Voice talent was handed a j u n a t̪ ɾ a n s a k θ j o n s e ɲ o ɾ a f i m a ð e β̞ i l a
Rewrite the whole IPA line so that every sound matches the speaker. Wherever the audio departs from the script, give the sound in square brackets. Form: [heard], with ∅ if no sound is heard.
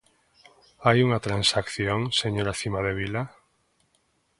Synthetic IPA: a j u [ŋ] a t̪ ɾ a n s a k θ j o [ŋ] s e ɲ o ɾ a [θ] i m a ð e β̞ i l a